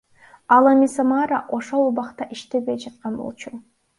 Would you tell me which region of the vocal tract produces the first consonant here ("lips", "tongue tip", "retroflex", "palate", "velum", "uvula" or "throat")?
tongue tip